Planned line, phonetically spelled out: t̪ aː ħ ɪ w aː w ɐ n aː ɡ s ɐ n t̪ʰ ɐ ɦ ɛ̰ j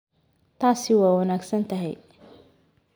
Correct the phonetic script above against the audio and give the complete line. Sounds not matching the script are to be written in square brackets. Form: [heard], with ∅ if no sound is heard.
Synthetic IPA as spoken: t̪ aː [s] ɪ w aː w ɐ n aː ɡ s ɐ n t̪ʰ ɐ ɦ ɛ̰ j